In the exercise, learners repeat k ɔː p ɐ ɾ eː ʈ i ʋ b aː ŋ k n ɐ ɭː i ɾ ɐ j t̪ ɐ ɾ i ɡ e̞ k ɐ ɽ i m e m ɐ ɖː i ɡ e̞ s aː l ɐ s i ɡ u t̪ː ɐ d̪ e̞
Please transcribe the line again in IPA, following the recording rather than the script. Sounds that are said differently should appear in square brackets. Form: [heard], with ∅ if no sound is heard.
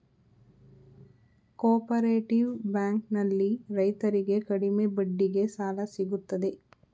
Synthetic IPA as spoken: k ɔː p ɐ ɾ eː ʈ i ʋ b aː ŋ k n ɐ [lː] i ɾ ɐ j t̪ ɐ ɾ i ɡ e̞ k ɐ ɽ i m e [b] ɐ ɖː i ɡ e̞ s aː l ɐ s i ɡ u t̪ː ɐ d̪ e̞